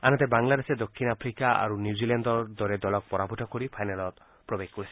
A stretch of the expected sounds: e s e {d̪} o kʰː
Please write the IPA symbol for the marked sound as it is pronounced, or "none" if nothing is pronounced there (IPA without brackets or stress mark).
d̪